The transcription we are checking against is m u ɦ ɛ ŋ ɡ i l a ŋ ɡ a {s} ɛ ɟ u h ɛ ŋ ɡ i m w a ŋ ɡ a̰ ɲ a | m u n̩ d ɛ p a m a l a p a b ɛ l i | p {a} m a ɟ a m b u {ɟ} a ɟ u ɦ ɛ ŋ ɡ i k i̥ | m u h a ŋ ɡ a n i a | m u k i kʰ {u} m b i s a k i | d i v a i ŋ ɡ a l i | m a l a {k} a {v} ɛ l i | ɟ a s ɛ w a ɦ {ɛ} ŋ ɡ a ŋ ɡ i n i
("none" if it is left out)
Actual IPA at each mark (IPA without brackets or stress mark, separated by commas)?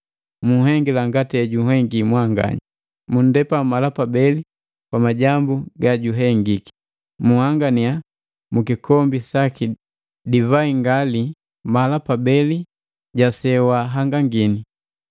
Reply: t, a, ɡ, ɔ, p, b, a